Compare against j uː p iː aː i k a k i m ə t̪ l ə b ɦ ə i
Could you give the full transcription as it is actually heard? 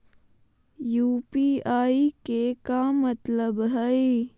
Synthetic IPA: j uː p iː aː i k e k a m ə t̪ l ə b ɦ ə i